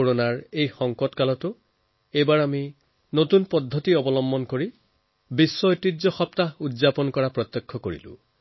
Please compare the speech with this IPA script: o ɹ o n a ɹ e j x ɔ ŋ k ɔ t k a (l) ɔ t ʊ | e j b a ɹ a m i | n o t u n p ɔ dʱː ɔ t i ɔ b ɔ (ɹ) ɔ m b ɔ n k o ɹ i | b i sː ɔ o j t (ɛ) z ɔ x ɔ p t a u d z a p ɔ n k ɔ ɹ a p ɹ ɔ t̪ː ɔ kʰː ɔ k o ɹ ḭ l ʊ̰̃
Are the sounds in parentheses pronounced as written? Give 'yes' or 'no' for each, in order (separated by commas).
yes, no, no